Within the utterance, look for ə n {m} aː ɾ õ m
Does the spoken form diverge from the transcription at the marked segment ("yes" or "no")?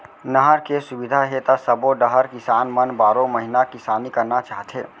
yes